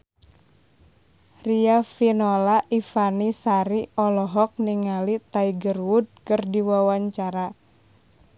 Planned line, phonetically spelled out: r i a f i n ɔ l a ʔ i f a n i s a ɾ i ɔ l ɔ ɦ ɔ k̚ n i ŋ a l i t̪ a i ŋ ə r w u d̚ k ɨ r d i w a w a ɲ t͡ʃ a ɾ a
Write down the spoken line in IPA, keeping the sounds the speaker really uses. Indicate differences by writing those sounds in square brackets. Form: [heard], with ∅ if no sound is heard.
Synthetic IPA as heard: r i a f i n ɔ l a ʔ i f a n i s a ɾ i ɔ l ɔ ɦ ɔ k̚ n i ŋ a l i t̪ a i [ɡ] ə r w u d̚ k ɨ r d i w a w a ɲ t͡ʃ a ɾ a